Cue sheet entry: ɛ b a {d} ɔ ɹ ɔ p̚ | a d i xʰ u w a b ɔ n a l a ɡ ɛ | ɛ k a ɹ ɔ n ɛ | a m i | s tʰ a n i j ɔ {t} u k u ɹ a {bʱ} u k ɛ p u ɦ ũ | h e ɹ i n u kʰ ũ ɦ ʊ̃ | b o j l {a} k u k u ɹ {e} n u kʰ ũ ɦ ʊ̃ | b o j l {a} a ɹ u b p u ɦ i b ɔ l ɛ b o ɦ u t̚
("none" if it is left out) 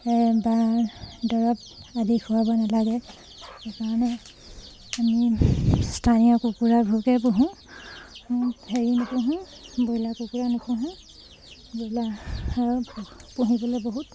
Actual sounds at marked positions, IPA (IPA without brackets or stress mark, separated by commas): d, k, bʱ, a, a, a